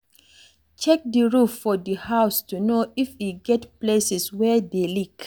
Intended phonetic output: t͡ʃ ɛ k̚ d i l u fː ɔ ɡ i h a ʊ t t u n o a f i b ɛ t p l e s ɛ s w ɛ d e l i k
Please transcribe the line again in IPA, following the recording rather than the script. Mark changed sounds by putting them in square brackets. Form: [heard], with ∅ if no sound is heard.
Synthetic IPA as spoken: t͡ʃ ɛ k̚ d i [ɹ] u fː ɔ [d] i h a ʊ [s] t u n o [i] f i [ɡ] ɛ t p l e s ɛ s w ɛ d e l i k